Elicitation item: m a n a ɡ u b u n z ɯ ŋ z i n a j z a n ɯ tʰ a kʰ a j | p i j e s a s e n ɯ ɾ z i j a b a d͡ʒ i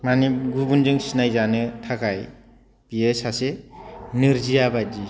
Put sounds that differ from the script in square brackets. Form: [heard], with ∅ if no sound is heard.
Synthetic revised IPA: m a n [i] ɡ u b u n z ɯ ŋ [s] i n a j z a n ɯ tʰ a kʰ a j | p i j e s a s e n ɯ ɾ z i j a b a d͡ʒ i